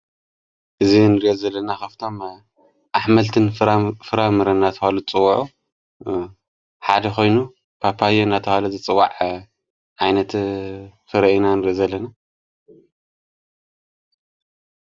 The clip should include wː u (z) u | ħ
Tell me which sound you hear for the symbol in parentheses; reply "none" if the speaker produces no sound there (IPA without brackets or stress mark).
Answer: ʕ